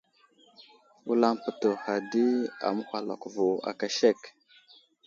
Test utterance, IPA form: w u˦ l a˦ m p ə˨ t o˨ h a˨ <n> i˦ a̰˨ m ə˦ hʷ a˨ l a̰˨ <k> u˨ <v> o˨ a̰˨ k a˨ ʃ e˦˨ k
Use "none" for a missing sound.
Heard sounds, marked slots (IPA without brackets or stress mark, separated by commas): d, k, v